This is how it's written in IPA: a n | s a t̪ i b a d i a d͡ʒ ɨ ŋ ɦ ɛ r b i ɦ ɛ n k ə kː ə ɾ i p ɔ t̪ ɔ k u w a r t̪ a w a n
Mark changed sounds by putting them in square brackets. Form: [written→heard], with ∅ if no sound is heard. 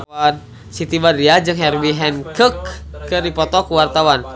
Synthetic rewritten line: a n | s [a→i] t̪ i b a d i a d͡ʒ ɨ ŋ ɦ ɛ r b i ɦ ɛ n k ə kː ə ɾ i p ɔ t̪ ɔ k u w a r t̪ a w a n